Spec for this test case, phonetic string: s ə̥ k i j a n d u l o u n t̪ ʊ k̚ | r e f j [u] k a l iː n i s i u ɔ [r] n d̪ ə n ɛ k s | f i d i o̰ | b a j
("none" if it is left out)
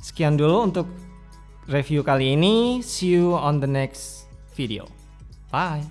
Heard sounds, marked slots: u, none

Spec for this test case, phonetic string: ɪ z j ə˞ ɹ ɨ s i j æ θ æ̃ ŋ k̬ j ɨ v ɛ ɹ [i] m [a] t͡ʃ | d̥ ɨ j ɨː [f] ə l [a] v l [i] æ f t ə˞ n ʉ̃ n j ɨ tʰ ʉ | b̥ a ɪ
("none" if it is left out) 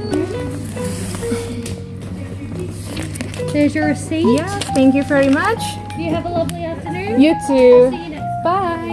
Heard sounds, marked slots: i, ʌ, v, ʌ, i

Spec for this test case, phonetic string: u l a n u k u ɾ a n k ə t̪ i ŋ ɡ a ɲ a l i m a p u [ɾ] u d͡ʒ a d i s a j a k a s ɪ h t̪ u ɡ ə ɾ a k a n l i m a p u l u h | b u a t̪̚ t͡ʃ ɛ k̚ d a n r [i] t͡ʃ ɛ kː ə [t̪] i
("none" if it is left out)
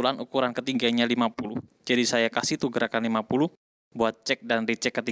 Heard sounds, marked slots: l, i, t̪

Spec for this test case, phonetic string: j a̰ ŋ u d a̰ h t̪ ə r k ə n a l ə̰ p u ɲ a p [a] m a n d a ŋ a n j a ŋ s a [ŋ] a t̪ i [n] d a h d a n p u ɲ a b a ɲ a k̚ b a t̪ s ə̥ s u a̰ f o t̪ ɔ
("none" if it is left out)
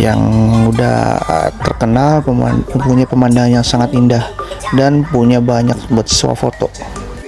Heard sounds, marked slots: ə, ŋ, n

